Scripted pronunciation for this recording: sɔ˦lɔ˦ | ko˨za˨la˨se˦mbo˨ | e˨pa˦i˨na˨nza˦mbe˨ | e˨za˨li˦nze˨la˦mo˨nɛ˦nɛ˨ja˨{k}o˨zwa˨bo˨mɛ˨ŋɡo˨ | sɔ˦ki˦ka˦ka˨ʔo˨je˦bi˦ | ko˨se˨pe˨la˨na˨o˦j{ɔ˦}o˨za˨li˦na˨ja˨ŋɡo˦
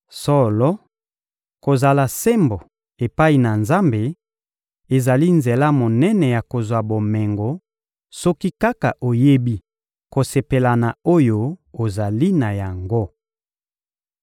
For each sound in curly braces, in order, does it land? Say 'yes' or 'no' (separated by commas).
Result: yes, no